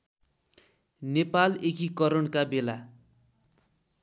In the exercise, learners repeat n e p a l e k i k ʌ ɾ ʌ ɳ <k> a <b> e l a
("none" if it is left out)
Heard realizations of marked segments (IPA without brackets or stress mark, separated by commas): k, b